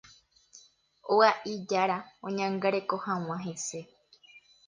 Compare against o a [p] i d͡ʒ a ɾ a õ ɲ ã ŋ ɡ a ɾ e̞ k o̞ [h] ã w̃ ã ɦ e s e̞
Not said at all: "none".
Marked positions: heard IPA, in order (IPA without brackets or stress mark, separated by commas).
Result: ʔ, h